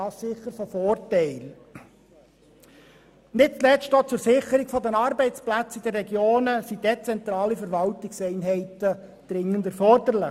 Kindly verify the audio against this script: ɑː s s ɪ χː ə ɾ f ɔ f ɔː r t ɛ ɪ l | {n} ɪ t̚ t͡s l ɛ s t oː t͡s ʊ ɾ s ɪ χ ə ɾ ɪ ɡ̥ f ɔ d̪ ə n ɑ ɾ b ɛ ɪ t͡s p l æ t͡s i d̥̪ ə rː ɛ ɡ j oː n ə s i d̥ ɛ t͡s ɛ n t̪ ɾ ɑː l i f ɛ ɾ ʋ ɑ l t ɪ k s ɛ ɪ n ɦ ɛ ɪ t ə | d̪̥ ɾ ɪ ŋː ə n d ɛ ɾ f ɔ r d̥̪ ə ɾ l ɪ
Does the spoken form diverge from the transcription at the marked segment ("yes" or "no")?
no